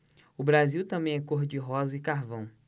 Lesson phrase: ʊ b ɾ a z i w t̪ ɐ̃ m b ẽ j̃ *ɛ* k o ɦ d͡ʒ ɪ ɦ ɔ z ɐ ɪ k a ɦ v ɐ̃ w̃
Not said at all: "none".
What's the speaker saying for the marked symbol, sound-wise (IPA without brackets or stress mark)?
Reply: ɛ